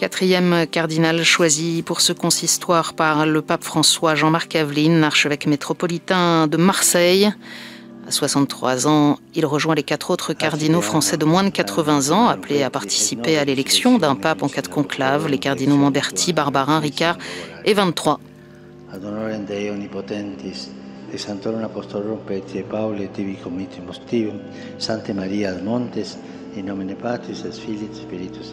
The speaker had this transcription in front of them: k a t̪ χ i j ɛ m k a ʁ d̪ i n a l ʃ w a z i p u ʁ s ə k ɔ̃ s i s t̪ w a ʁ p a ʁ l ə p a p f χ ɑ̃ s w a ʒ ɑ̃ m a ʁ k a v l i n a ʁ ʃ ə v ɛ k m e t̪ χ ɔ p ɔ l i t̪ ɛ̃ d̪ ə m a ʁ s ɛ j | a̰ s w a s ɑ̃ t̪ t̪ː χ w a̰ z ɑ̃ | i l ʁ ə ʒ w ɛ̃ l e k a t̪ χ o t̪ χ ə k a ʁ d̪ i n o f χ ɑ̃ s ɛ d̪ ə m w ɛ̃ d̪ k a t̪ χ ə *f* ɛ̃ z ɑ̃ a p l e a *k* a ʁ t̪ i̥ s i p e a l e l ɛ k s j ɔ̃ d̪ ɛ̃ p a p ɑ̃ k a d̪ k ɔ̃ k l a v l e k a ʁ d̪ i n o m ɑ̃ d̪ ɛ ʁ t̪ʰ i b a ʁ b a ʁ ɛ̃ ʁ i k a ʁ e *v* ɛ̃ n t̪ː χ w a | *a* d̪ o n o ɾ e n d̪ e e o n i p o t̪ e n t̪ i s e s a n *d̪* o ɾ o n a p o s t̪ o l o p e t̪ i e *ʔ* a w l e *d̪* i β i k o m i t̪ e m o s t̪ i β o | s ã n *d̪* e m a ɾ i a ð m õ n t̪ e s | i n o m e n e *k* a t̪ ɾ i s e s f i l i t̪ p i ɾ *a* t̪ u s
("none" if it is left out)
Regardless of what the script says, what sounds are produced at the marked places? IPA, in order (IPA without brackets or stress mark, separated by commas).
v, p, v, a, t̪, p, t̪, t̪, p, i